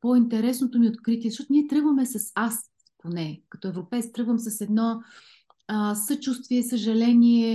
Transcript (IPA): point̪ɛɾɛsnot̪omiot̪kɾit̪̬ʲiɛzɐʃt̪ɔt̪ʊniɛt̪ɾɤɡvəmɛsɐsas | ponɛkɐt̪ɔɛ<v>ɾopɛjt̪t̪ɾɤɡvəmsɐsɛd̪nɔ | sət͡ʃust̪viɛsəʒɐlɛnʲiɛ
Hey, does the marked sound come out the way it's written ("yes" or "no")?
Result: yes